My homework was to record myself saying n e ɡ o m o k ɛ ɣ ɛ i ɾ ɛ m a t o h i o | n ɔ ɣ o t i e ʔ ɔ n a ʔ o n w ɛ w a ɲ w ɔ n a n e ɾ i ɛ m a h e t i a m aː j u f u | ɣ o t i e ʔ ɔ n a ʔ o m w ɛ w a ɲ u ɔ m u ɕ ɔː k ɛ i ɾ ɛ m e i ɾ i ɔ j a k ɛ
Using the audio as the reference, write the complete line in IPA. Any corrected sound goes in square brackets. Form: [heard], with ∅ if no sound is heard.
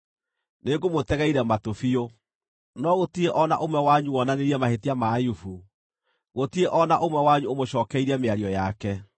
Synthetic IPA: n e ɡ o m o [t] ɛ ɣ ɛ i ɾ ɛ m a t o [f] i o | n ɔ ɣ o t i e ʔ ɔ n a ʔ o [m] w ɛ w a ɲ [u] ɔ n a n e ɾ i ɛ m a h e t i a m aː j u f u | ɣ o t i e ʔ ɔ n a ʔ o m w ɛ w a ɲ u [o] m [o] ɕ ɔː k ɛ i ɾ ɛ m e [a] ɾ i ɔ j a k ɛ